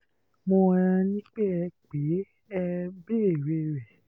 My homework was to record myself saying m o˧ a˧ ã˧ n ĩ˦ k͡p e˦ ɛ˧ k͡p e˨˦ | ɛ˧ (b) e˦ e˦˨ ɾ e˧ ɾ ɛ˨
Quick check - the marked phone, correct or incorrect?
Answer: correct